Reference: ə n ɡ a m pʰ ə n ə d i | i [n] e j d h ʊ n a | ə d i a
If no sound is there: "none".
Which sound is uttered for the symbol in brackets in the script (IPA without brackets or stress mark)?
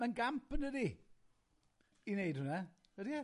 n